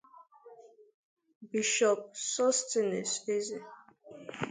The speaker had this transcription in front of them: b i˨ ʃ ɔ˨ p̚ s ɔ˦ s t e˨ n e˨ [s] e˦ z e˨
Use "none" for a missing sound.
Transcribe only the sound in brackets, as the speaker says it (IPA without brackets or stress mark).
s